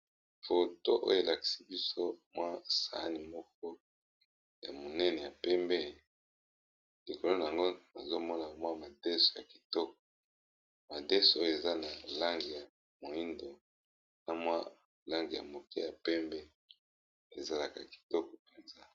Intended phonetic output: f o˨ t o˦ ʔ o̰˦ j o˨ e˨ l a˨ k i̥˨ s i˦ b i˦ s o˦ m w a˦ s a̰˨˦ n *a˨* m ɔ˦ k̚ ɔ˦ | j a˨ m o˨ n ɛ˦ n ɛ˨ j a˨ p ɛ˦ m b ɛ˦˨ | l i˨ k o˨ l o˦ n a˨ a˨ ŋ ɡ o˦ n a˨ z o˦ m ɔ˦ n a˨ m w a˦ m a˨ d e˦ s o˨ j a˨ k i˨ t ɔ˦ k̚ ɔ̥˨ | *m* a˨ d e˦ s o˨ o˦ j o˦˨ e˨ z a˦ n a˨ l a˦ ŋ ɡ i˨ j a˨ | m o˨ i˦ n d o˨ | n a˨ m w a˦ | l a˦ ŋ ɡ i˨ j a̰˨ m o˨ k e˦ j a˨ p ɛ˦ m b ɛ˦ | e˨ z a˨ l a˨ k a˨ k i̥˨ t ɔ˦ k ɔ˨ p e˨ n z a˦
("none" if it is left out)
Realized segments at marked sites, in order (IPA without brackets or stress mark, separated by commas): i˨, m